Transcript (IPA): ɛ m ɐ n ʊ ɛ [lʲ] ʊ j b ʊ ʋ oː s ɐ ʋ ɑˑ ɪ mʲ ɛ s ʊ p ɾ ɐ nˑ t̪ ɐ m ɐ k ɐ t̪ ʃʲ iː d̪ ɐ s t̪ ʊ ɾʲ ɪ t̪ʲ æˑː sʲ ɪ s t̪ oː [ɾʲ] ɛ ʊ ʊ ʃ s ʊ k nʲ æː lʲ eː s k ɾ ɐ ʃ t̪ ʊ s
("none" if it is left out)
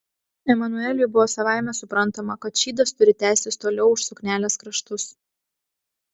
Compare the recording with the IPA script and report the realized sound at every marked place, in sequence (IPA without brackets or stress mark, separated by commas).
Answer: lʲ, lʲ